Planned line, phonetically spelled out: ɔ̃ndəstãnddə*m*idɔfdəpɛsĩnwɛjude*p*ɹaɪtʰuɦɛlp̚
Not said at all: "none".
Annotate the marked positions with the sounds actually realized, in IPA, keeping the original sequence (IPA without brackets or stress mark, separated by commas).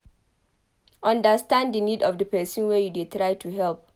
n, t